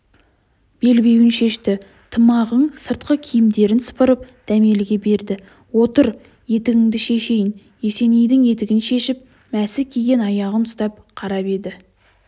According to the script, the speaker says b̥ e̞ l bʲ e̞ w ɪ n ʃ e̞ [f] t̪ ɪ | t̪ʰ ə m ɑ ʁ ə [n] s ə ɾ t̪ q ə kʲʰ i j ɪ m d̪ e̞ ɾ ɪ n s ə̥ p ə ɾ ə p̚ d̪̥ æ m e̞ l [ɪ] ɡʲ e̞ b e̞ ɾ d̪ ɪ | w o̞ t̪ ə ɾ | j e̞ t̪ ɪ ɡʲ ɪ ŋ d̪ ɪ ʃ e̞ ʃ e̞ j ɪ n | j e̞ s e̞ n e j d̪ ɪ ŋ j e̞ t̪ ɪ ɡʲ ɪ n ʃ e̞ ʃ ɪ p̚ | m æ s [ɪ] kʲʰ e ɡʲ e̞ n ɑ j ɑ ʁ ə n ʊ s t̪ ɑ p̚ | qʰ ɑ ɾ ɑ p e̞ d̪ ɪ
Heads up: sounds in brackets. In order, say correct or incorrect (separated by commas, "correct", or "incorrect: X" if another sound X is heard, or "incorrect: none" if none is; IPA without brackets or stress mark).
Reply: incorrect: ʃ, incorrect: ɴ, correct, correct